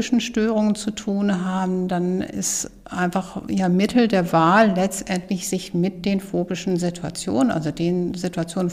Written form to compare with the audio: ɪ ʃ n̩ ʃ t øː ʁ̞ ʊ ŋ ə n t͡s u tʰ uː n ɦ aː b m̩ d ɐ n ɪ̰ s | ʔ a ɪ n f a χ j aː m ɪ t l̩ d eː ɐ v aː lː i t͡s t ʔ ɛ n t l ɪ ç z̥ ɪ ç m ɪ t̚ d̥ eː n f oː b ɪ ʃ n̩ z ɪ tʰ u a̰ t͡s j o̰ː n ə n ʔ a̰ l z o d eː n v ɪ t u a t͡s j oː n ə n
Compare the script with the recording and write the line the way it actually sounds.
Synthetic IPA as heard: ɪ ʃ n̩ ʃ t øː ʁ̞ ʊ ŋ ə n t͡s u tʰ uː n ɦ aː b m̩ d a n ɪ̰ s | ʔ a ɪ n f a χ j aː m ɪ t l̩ d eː ɐ v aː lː ɛ t͡s t ʔ ɛ n t l ɪ ç z̥ ɪ ç m ɪ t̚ d̥ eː n f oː b ɪ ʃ n̩ z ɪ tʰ u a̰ t͡s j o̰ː n ə n ʔ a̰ l z o d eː n z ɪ t u a t͡s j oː n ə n